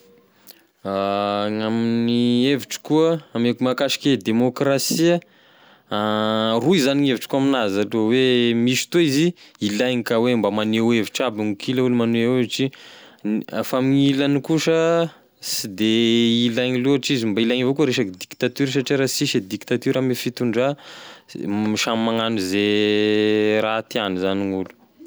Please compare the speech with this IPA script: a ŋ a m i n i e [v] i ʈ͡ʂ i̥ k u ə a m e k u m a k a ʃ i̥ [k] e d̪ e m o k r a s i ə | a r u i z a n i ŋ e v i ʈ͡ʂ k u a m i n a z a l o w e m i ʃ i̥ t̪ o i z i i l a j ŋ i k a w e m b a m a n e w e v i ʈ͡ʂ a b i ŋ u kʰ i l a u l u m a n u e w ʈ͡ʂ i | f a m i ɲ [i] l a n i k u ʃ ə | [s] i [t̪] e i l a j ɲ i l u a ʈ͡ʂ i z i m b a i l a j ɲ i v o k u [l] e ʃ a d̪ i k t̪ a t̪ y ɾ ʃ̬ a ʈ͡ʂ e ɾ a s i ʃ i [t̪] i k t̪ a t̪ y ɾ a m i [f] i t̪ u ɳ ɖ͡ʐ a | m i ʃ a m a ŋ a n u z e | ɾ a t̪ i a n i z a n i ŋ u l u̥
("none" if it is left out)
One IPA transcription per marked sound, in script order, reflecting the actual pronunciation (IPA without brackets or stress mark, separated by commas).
v, k, i, s, d̪, ɾ, d̪, f